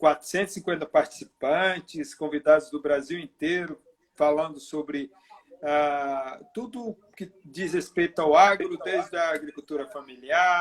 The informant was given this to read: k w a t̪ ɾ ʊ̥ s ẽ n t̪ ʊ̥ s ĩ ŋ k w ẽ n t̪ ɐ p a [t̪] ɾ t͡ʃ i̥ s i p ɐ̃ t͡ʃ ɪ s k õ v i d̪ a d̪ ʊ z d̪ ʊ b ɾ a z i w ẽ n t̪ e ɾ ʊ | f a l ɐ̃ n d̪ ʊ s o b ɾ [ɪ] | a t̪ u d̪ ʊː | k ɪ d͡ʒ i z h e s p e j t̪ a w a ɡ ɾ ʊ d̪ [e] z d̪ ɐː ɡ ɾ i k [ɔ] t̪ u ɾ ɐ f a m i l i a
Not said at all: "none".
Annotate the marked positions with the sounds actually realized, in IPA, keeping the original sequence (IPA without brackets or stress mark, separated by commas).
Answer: none, ɪ, e, u